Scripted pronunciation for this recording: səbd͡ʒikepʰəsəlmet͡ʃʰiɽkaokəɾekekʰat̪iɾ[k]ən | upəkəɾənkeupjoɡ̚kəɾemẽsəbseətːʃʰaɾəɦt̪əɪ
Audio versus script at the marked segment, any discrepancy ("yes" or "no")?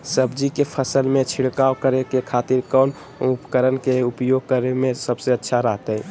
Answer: no